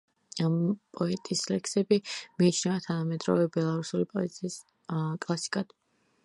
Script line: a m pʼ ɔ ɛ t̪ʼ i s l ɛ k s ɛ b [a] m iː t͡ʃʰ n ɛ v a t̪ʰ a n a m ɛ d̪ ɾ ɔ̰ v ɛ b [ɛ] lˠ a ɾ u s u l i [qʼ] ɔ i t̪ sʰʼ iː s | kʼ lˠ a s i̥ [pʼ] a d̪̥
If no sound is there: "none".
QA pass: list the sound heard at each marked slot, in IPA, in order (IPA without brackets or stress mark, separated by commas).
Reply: i, ɛ, pʼ, kʼ